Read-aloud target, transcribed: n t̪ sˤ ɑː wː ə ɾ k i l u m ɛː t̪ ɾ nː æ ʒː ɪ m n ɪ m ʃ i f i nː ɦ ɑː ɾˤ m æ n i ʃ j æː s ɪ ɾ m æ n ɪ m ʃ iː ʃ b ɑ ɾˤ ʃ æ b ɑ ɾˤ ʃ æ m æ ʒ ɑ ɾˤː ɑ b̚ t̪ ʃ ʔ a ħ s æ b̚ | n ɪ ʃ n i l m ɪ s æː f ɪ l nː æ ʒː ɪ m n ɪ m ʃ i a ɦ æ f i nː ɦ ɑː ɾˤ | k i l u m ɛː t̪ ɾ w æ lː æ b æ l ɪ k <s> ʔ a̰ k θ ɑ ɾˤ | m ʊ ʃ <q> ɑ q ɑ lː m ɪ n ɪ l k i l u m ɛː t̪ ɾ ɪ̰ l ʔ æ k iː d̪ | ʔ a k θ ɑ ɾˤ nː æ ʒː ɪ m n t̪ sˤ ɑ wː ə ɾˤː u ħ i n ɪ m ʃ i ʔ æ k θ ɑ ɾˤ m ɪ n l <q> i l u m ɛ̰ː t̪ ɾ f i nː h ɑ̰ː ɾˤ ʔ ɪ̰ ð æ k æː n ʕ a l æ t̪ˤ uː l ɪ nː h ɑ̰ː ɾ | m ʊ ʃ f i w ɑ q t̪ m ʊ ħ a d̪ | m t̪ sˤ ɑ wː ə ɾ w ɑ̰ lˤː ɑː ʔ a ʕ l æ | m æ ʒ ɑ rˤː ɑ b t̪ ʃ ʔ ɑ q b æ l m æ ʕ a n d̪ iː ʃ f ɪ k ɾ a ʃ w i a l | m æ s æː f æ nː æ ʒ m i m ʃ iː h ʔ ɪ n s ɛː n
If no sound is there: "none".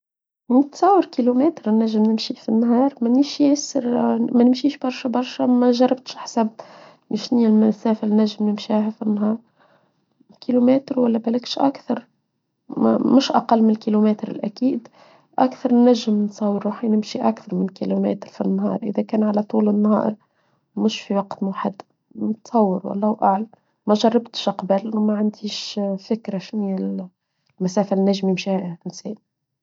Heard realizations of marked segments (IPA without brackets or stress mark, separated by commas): ʃ, ʔ, k